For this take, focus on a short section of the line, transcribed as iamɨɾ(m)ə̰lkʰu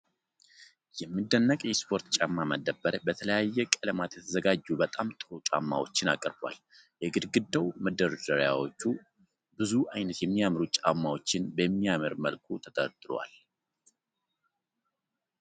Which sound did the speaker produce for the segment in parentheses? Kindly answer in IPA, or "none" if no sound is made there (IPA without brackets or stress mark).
m